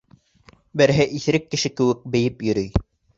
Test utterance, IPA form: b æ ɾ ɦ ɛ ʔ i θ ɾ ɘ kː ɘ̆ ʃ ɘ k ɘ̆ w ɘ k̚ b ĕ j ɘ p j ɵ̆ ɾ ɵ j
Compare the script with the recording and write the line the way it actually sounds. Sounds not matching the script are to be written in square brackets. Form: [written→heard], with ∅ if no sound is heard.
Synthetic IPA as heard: b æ ɾ ɦ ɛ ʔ i θ ɾ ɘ kː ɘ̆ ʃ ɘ k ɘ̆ w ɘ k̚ b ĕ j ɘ p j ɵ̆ ɾ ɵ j

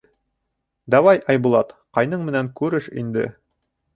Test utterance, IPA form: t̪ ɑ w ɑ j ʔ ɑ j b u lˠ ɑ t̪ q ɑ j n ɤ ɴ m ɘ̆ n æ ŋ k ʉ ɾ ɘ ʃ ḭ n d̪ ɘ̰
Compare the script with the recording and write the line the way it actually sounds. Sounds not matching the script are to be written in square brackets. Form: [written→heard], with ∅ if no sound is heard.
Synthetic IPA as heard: [t̪→d̪] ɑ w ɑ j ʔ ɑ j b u lˠ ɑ t̪ q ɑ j n ɤ ɴ m ɘ̆ n æ ŋ k ʉ ɾ ɘ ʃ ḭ n d̪ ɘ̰

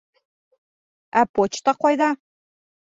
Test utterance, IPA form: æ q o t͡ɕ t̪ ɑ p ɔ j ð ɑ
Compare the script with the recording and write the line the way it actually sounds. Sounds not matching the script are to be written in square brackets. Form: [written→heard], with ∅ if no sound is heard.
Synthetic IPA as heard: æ [q→p] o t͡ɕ t̪ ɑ [p→q] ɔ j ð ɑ

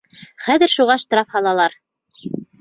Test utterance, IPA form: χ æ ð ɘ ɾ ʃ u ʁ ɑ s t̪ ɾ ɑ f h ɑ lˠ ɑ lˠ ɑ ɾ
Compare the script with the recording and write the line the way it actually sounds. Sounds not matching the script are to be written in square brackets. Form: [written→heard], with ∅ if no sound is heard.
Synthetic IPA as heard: χ æ ð ɘ ɾ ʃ u ʁ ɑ [s→ʃ] t̪ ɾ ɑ f h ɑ lˠ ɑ lˠ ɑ ɾ

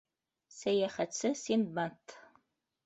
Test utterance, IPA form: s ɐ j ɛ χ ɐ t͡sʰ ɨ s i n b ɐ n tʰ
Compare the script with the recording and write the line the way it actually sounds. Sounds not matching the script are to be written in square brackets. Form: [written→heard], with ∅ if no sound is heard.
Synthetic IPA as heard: s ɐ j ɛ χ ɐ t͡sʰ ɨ s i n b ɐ n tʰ

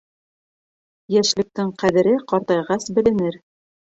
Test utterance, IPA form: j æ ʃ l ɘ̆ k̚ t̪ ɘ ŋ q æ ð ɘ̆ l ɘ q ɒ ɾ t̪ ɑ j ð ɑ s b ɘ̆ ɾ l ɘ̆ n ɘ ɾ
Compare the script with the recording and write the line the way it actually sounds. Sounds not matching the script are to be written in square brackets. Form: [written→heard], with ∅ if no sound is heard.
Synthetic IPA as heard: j æ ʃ l ɘ̆ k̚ t̪ ɘ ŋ q æ ð ɘ̆ [l→ɾ] ɘ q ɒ ɾ t̪ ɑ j [ð→ʁ] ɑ s b ɘ̆ [ɾ→∅] l ɘ̆ n ɘ ɾ

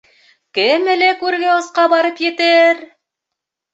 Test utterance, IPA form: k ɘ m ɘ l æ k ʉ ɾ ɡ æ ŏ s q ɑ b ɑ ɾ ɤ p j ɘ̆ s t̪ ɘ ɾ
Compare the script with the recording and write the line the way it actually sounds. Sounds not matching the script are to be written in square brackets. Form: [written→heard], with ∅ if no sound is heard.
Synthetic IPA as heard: k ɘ m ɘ l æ k ʉ ɾ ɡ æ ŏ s q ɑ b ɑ ɾ ɤ p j ɘ̆ [s→∅] t̪ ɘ ɾ

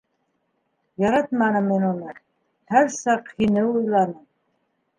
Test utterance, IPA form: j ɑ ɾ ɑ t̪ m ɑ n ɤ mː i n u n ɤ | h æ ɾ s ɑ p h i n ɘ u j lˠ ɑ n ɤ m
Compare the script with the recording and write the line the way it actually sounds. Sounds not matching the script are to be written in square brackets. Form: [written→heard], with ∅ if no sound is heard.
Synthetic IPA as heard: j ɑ ɾ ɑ t̪ m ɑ n ɤ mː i n u n ɤ | h æ ɾ s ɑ [p→q] h i n ɘ u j lˠ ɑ n ɤ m

